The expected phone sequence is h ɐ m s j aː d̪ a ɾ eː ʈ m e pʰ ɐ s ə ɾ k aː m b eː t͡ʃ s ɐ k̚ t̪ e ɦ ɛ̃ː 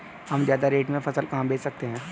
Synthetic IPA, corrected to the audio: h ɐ m z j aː d̪ a ɾ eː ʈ m ẽ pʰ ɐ s ə l k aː m b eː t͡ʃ s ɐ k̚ t̪ e ɦ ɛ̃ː